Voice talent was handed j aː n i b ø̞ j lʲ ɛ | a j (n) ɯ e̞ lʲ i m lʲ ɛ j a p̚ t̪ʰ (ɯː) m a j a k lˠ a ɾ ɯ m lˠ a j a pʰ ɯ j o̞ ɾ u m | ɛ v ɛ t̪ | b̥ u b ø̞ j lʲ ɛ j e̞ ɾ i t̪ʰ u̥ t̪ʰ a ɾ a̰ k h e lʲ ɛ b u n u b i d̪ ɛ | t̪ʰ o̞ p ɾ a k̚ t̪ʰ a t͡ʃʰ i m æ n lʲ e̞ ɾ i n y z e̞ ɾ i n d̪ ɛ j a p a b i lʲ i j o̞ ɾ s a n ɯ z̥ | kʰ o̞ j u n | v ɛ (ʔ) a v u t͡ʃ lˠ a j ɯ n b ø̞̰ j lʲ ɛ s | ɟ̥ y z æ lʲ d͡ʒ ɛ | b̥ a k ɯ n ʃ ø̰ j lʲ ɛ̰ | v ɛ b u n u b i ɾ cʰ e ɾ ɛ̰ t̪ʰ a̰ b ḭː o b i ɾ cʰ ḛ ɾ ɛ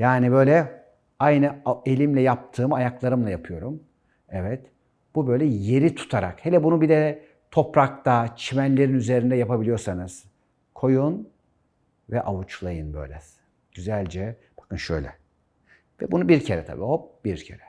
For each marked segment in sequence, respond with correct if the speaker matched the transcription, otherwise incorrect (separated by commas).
correct, correct, correct